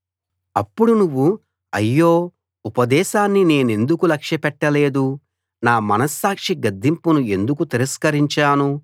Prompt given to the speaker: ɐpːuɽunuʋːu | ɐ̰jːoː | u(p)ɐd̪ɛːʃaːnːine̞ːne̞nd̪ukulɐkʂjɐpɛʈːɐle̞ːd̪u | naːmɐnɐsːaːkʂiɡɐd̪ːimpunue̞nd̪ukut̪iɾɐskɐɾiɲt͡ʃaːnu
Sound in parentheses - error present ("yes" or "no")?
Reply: no